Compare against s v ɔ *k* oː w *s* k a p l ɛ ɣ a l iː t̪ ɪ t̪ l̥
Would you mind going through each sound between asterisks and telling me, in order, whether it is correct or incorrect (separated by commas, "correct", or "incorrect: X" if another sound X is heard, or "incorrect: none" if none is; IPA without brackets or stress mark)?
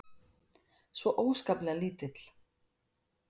incorrect: ʔ, correct